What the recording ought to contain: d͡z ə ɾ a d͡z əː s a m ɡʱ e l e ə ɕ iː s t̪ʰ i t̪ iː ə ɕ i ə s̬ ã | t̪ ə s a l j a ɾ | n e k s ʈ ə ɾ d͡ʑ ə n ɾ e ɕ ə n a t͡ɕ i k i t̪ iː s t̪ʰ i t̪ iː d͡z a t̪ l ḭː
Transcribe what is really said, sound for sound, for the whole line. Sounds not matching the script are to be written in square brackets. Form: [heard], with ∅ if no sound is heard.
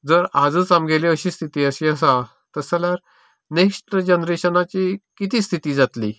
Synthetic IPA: d͡z ə ɾ a d͡z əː [t͡s] a m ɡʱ e l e ə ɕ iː s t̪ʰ i t̪ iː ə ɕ i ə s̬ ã | t̪ ə s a l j a ɾ | n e k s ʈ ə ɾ d͡ʑ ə n ɾ e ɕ ə n a t͡ɕ i k i t̪ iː s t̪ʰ i t̪ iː d͡z a t̪ l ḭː